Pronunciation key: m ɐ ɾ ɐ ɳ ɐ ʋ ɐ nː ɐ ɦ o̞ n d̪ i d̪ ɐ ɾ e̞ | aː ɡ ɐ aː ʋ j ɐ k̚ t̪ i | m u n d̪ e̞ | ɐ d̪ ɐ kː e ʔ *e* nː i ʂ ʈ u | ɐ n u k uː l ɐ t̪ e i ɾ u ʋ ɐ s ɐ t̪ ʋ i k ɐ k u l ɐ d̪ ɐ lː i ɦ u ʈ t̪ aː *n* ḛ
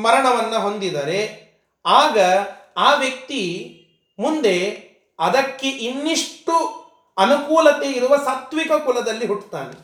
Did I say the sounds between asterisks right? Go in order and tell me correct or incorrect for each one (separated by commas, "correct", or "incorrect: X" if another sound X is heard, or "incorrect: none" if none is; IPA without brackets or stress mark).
incorrect: i, correct